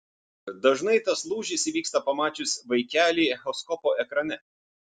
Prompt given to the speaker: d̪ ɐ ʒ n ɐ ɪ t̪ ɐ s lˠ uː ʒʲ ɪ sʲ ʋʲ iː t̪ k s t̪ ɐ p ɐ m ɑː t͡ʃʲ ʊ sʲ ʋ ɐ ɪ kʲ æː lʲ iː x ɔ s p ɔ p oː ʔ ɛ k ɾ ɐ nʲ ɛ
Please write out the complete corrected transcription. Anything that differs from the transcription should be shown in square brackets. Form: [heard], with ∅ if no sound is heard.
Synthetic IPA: d̪ ɐ ʒ n ɐ ɪ t̪ ɐ s lˠ uː ʒʲ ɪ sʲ ʋʲ iː [∅] k s t̪ ɐ p ɐ m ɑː t͡ʃʲ ʊ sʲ ʋ ɐ ɪ kʲ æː lʲ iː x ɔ s [k] ɔ p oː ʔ ɛ k ɾ ɐ nʲ ɛ

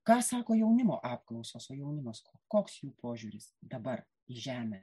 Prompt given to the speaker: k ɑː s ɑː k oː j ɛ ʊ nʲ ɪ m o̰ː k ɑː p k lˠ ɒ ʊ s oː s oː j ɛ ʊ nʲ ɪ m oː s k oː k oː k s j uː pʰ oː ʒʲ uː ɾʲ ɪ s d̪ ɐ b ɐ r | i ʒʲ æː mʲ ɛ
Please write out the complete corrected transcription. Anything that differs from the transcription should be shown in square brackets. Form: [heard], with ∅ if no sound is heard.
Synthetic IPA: k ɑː s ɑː k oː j ɛ ʊ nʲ ɪ m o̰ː [ʔ] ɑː p k lˠ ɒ ʊ s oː s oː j ɛ ʊ nʲ ɪ m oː s k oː k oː k s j uː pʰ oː ʒʲ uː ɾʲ ɪ s d̪ ɐ b ɐ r | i ʒʲ æː mʲ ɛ

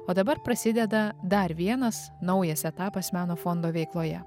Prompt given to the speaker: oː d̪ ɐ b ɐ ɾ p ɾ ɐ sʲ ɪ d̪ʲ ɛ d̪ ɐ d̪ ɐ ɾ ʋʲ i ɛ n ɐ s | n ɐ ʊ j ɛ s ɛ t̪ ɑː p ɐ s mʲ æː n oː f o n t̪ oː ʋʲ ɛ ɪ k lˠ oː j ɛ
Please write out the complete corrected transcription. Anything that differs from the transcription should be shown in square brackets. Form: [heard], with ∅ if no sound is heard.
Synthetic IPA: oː d̪ ɐ b ɐ ɾ p ɾ ɐ sʲ ɪ d̪ʲ ɛ d̪ ɐ d̪ ɐ ɾ ʋʲ i ɛ n ɐ s | n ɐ ʊ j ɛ s ɛ t̪ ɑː p ɐ s mʲ æː n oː f o n [d̪] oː ʋʲ ɛ ɪ k lˠ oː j ɛ

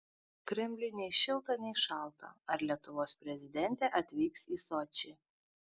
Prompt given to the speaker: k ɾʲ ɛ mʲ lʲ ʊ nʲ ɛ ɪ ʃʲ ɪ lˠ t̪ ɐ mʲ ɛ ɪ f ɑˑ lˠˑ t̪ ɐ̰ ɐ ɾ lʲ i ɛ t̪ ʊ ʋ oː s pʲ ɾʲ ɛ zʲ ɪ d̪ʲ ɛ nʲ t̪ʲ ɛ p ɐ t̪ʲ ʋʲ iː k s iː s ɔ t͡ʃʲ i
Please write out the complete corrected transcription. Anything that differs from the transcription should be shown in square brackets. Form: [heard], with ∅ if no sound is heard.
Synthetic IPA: k ɾʲ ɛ mʲ lʲ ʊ nʲ ɛ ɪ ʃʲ ɪ lˠ t̪ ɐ [nʲ] ɛ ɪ [ʃ] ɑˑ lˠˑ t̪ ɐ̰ ɐ ɾ lʲ i ɛ t̪ ʊ ʋ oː s pʲ ɾʲ ɛ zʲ ɪ d̪ʲ ɛ nʲ t̪ʲ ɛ [ʔ] ɐ t̪ʲ ʋʲ iː k s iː s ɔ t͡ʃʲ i

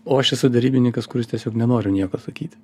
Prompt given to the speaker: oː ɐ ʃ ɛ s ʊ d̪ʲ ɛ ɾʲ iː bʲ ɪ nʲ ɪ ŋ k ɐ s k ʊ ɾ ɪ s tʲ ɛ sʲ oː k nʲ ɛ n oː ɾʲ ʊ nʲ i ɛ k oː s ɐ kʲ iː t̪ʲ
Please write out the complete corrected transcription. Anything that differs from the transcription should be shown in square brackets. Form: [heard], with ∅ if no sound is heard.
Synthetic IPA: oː ɐ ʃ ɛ s ʊ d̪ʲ ɛ ɾʲ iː bʲ ɪ nʲ ɪ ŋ k ɐ s k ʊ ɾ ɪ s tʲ ɛ sʲ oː k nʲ ɛ n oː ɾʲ ʊ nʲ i ɛ k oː s ɐ kʲ iː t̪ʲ

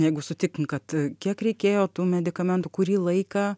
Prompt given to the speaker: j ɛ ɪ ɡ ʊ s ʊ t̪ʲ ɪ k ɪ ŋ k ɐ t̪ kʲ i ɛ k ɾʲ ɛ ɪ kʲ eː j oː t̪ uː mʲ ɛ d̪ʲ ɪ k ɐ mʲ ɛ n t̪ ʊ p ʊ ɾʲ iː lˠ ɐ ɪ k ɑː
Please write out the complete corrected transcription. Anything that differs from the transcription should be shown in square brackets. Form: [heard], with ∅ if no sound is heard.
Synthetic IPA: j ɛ ɪ ɡ ʊ s ʊ t̪ʲ ɪ k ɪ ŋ k ɐ t̪ kʲ i ɛ k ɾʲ ɛ ɪ kʲ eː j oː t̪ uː mʲ ɛ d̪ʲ ɪ k ɐ mʲ ɛ n t̪ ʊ [k] ʊ ɾʲ iː lˠ ɐ ɪ k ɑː

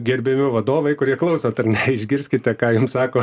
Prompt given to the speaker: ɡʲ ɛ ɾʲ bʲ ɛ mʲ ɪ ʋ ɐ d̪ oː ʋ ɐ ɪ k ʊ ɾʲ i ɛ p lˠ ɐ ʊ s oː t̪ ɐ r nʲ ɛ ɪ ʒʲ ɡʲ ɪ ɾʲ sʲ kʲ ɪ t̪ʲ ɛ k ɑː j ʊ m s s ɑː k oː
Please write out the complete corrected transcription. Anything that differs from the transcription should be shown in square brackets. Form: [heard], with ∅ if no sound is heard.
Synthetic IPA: ɡʲ ɛ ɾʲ bʲ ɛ mʲ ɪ ʋ ɐ d̪ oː ʋ ɐ ɪ k ʊ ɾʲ i ɛ [k] lˠ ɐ ʊ s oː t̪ ɐ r nʲ ɛ ɪ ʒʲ ɡʲ ɪ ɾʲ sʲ kʲ ɪ t̪ʲ ɛ k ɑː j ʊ m s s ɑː k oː

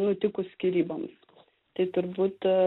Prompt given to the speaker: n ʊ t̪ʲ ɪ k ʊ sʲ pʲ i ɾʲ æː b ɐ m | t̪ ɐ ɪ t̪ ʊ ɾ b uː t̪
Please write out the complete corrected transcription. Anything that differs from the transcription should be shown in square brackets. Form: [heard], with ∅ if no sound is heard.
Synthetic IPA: n ʊ t̪ʲ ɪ k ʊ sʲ [kʲ] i ɾʲ [iː] b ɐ m | t̪ ɐ ɪ t̪ ʊ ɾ b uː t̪

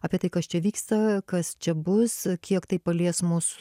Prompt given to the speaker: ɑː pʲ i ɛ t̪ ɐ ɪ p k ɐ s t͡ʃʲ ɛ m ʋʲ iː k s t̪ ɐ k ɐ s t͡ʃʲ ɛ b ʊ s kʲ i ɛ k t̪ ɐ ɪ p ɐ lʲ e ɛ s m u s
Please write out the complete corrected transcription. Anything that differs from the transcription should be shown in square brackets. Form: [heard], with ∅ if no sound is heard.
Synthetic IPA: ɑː pʲ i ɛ t̪ ɐ ɪ [∅] k ɐ s t͡ʃʲ ɛ [∅] ʋʲ iː k s t̪ ɐ k ɐ s t͡ʃʲ ɛ b ʊ s kʲ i ɛ k t̪ ɐ ɪ p ɐ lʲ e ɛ s m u s

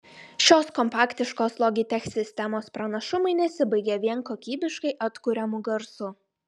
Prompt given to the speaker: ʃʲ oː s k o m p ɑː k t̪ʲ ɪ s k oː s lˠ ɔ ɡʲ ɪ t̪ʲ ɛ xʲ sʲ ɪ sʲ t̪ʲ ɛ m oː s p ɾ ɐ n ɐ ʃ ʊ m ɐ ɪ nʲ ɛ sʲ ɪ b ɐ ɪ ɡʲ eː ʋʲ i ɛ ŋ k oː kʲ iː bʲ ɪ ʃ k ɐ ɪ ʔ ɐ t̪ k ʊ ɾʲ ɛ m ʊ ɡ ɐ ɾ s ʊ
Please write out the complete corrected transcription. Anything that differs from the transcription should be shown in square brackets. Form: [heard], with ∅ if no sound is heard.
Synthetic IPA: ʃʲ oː s k [ɔ] m p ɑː k t̪ʲ ɪ [ʃ] k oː s lˠ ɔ ɡʲ ɪ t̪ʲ ɛ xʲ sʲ ɪ sʲ t̪ʲ ɛ m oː s p ɾ ɐ n ɐ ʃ ʊ m ɐ ɪ nʲ ɛ sʲ ɪ b ɐ ɪ ɡʲ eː ʋʲ i ɛ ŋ k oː kʲ iː bʲ ɪ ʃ k ɐ ɪ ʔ ɐ t̪ k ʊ ɾʲ ɛ m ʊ ɡ ɐ ɾ s ʊ

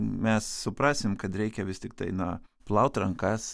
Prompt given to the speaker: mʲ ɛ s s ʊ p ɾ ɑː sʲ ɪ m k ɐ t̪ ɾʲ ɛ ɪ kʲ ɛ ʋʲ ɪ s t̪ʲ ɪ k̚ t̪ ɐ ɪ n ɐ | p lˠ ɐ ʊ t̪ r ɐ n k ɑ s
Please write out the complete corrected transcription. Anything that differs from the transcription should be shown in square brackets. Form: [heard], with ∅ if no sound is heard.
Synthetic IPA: mʲ ɛ s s ʊ p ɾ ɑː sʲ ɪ m k ɐ t̪ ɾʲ ɛ ɪ kʲ ɛ ʋʲ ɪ s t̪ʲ ɪ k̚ t̪ ɐ ɪ n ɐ | p lˠ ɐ ʊ t̪ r ɐ [ŋ] k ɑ s

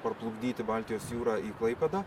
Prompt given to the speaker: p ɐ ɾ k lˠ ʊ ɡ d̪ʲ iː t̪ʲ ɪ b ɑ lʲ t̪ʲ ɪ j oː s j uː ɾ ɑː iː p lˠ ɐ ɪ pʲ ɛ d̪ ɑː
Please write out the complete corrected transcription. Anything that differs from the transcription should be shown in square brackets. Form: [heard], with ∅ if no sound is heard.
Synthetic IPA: p ɐ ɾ [p] lˠ ʊ ɡ d̪ʲ iː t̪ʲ ɪ b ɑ lʲ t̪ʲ ɪ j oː s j uː ɾ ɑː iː [k] lˠ ɐ ɪ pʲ ɛ d̪ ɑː

